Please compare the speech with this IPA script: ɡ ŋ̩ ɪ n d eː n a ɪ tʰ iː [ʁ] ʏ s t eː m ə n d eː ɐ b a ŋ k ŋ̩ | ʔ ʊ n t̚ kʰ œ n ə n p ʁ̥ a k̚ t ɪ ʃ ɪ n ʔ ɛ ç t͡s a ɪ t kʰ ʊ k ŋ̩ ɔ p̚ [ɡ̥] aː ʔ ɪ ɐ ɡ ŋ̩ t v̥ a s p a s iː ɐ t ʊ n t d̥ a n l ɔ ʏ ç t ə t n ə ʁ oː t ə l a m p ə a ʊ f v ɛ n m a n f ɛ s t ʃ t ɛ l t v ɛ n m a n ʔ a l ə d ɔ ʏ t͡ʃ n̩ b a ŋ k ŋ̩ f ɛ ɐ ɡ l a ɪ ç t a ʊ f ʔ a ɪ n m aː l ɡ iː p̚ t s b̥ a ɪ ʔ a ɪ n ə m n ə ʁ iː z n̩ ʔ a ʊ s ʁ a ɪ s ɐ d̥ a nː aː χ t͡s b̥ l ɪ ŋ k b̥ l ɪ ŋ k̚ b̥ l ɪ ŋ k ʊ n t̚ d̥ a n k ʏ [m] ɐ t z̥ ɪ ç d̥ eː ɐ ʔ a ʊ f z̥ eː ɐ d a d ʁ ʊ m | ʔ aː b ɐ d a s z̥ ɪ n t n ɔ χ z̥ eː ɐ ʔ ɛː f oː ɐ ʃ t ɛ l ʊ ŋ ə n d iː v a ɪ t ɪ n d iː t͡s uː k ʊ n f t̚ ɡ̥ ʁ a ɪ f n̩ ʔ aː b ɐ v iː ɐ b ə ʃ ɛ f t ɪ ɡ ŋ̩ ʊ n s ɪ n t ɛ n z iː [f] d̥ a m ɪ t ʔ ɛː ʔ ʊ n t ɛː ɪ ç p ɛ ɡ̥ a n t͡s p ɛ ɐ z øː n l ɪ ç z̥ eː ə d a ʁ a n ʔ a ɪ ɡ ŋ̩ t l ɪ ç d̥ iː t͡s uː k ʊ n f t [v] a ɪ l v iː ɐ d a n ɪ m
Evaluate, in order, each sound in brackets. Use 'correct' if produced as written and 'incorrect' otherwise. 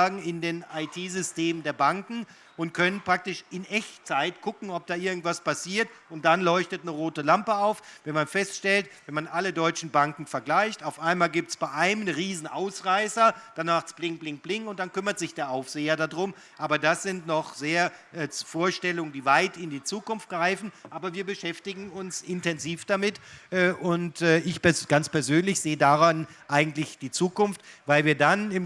incorrect: z, incorrect: d̥, correct, correct, correct

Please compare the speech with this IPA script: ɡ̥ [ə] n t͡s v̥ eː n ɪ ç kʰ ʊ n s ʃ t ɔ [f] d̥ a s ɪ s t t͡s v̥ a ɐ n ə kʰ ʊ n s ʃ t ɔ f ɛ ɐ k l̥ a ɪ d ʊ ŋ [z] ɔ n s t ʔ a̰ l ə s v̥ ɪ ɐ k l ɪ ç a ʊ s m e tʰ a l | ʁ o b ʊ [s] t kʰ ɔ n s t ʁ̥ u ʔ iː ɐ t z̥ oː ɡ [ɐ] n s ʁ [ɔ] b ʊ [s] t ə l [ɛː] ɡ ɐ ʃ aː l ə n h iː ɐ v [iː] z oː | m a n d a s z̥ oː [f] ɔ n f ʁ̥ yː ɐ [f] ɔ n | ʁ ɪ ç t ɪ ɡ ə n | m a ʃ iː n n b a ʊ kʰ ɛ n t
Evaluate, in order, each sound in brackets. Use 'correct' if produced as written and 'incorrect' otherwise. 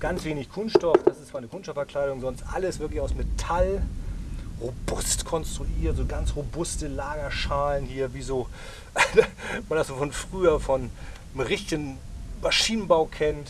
incorrect: a, correct, correct, correct, incorrect: a, incorrect: o, correct, incorrect: aː, correct, correct, correct

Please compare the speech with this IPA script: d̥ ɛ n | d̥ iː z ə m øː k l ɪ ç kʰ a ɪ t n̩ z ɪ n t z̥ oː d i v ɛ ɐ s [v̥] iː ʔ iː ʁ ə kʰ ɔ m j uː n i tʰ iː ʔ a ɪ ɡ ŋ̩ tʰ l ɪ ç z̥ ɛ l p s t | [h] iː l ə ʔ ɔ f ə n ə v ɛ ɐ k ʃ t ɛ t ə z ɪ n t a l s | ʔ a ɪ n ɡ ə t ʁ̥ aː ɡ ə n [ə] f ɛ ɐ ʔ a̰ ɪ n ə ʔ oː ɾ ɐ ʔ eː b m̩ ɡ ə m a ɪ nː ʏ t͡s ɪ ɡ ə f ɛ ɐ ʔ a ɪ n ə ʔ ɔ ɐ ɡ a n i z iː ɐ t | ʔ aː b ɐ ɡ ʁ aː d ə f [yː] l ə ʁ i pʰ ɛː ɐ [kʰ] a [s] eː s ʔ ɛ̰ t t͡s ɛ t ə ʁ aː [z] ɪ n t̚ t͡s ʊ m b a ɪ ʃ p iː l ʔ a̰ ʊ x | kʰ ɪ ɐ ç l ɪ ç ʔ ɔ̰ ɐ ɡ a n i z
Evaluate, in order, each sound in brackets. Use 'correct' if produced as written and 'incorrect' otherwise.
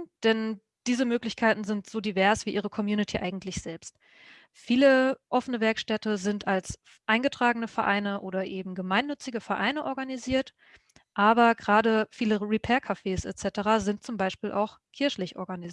correct, incorrect: f, correct, incorrect: iː, correct, incorrect: f, correct

